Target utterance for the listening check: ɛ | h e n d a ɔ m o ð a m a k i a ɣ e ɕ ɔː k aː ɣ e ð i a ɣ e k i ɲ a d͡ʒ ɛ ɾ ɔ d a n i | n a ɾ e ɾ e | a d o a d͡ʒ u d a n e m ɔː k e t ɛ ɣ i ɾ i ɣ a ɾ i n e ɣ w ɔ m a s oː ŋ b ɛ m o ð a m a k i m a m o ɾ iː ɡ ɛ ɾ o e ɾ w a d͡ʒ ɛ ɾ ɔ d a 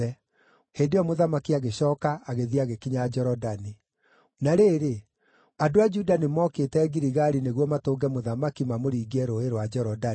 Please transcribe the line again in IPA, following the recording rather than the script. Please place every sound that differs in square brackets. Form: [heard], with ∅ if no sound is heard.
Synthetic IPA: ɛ | h e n d [e] ɔ m o ð a m a k i a ɣ e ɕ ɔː k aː ɣ e ð i a ɣ e k i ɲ a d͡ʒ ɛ ɾ ɔ d a n i | n a ɾ e ɾ e | a d o a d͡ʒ u d a n e m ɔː k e t ɛ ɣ i ɾ i ɣ a ɾ i n e ɣ w ɔ m a [t] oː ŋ [ɡ] ɛ m o ð a m a k i m a m o ɾ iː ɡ ɛ ɾ o e ɾ w a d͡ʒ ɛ ɾ ɔ d a

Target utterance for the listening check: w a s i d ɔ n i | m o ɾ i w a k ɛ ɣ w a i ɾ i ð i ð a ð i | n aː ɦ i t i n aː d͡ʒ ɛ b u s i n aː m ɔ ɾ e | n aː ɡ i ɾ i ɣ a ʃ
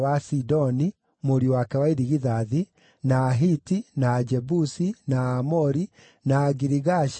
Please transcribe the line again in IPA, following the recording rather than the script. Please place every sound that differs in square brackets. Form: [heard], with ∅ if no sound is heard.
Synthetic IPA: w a s i d ɔ n i | m o ɾ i w a k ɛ [∅] w a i ɾ i [ɣ] i ð a ð i | n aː ɦ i t i n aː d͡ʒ ɛ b u s i n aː m ɔ ɾ [i] | n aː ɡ i ɾ i ɣ a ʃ

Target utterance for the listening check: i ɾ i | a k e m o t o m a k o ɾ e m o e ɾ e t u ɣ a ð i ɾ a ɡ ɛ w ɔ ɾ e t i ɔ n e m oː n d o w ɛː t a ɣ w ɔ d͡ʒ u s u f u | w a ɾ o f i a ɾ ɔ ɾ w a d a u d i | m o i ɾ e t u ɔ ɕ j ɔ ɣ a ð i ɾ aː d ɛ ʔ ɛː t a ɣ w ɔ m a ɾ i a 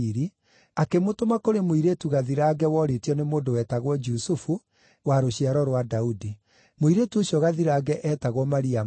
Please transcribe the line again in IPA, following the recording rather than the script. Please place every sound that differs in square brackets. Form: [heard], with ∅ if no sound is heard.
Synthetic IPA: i ɾ i | a k e m o t o m a k o ɾ e m o [i] ɾ e t u ɣ a ð i ɾ a ɡ ɛ w ɔ ɾ e t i ɔ n e m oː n d o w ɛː t a ɣ w ɔ d͡ʒ u s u f u | w a ɾ o [ɕ] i a ɾ ɔ ɾ w a d a u d i | m o i ɾ e t u [o] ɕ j ɔ ɣ a ð i ɾ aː [ɡ] ɛ ʔ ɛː t a ɣ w ɔ m a ɾ i a

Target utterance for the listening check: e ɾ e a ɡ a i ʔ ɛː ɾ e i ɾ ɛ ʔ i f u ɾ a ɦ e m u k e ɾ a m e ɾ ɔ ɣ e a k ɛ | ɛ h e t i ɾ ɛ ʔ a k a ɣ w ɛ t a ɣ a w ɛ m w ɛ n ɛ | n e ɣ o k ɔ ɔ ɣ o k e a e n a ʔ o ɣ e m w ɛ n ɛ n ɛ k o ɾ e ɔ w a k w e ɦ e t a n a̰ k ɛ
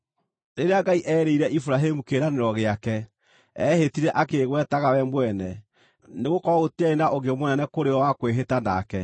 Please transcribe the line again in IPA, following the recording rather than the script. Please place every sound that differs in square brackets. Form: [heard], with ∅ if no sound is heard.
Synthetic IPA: e ɾ e a ɡ a i ʔ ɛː ɾ e i ɾ ɛ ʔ i f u ɾ a ɦ e m u k e ɾ a [n] e ɾ ɔ ɣ e a k ɛ | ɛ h e t i ɾ ɛ ʔ a k [e] ɣ w ɛ t a ɣ a w ɛ m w ɛ n ɛ | n e ɣ o k ɔ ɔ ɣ o [t] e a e n a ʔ o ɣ e m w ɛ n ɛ n ɛ k o ɾ e ɔ w a k w e ɦ e t a n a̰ k ɛ

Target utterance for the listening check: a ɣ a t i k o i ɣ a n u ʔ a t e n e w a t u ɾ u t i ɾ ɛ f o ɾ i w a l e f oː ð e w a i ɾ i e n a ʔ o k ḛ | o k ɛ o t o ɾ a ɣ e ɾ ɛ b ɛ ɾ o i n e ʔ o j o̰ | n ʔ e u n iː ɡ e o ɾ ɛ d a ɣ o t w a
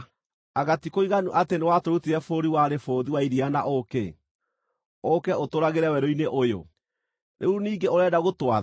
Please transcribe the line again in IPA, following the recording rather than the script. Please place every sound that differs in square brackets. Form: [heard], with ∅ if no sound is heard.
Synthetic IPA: a ɣ a t i k o i ɣ a n u ʔ a t e n e w a t [o] ɾ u t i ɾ ɛ f o ɾ i w a [ɾ] e f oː ð [i] w a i ɾ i [a] n a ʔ o k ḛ | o k ɛ o t o ɾ a ɣ e ɾ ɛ [w] ɛ ɾ o i n e ʔ o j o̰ | n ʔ e u n iː ɡ e o ɾ ɛ d a ɣ o t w a

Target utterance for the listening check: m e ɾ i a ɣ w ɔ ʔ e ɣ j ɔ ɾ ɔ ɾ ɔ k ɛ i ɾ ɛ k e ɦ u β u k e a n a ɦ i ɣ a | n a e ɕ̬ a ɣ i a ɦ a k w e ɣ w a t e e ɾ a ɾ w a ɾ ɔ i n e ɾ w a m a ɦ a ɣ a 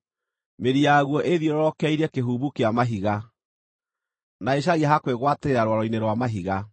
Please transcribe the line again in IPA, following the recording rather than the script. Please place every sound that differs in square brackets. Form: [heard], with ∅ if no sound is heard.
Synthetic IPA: m e ɾ i a ɣ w ɔ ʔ e [ð] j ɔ ɾ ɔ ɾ ɔ k ɛ i ɾ ɛ k e ɦ u β u k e a [m] a ɦ i ɣ a | n a e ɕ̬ a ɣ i a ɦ a k w e ɣ w a t e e ɾ a ɾ w a ɾ ɔ i n e ɾ w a m a ɦ [i] ɣ a

